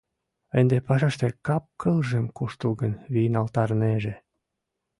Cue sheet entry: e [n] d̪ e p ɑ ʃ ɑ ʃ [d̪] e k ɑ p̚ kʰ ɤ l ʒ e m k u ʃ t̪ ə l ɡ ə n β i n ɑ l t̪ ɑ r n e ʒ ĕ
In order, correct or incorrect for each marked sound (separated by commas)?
correct, incorrect